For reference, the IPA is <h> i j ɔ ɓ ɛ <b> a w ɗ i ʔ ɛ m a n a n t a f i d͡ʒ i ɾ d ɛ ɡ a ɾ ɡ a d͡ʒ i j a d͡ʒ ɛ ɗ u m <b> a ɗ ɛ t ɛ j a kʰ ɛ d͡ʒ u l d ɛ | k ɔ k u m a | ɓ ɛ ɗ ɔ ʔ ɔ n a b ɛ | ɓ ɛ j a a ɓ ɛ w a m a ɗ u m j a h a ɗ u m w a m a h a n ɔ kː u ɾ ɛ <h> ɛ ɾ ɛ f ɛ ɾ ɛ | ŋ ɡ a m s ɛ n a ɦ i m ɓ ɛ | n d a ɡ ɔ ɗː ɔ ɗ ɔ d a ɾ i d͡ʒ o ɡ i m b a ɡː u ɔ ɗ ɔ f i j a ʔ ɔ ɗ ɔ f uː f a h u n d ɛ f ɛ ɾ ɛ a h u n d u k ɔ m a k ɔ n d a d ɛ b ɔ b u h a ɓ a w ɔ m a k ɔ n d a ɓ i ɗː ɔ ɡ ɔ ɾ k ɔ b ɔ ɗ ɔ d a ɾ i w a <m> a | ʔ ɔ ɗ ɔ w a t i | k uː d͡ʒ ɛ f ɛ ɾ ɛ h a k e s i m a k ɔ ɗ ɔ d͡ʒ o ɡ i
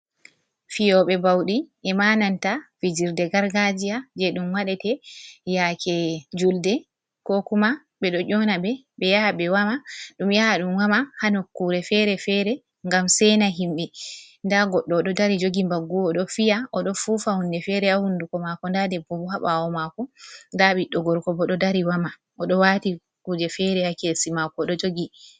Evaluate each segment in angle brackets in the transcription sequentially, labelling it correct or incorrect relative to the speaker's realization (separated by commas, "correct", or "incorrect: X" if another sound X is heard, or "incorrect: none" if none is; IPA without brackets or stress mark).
incorrect: f, correct, incorrect: w, incorrect: f, correct